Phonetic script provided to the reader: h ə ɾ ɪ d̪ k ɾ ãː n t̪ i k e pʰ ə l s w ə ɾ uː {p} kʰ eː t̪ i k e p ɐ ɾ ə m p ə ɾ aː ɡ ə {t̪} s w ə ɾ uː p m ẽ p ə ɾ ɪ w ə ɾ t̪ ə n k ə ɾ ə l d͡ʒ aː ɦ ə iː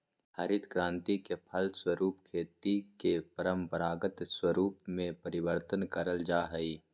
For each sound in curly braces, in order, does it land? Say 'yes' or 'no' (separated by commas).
yes, yes